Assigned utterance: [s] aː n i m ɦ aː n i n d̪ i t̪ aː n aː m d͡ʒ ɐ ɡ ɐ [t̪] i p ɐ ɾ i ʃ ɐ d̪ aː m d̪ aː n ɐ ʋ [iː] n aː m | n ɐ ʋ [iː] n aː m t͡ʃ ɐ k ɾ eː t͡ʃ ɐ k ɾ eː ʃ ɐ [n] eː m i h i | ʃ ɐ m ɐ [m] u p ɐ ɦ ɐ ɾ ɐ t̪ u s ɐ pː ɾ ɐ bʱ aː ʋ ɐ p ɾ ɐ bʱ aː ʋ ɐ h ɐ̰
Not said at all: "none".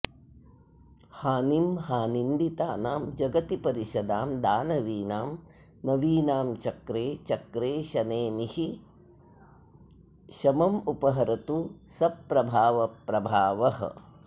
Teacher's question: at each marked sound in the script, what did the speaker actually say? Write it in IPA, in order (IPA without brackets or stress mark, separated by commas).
h, t̪, iː, iː, n, m